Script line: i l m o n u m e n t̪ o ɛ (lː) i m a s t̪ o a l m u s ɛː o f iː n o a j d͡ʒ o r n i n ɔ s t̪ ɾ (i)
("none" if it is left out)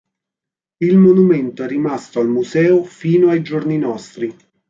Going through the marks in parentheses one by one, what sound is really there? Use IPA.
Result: rː, i

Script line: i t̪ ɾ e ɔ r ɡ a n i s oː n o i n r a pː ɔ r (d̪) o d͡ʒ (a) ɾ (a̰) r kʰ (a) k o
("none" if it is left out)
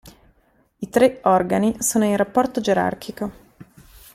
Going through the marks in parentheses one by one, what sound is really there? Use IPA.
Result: t̪, e, a̰, i

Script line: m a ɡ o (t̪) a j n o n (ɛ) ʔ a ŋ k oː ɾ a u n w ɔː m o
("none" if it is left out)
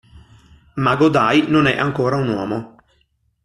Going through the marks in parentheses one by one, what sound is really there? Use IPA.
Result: d̪, ɛ

